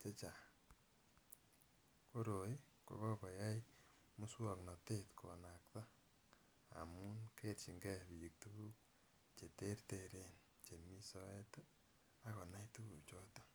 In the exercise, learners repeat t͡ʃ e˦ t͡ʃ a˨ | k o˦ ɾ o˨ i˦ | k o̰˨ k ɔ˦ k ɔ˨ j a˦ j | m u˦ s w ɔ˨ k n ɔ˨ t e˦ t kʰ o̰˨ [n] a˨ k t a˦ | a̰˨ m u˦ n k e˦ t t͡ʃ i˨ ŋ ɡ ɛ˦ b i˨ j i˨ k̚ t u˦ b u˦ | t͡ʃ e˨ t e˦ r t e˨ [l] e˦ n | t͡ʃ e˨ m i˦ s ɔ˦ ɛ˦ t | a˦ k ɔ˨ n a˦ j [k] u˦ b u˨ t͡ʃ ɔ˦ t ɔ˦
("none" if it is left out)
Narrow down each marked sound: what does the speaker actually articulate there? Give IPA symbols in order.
n, ɾ, t

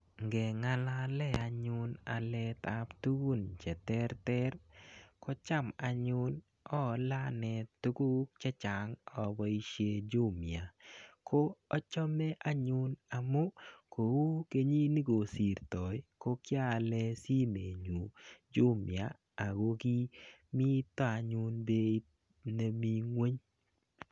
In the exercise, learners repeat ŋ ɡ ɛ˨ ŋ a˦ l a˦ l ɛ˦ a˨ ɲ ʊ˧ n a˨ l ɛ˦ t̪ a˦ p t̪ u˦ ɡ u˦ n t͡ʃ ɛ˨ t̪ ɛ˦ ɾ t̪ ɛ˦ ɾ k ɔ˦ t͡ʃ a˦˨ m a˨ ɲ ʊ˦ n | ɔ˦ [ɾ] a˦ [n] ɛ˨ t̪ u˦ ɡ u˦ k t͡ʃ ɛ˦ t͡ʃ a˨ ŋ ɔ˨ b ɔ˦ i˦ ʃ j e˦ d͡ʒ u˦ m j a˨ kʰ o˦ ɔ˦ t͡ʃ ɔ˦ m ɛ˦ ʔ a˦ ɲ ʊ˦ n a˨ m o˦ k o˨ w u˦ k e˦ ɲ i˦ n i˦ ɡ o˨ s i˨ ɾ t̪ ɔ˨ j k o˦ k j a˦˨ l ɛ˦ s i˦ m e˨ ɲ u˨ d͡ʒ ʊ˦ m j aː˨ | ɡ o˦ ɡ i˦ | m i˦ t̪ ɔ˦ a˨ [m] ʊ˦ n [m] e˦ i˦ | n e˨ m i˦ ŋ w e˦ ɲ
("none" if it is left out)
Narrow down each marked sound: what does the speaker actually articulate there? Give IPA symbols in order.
l, n, ɲ, b

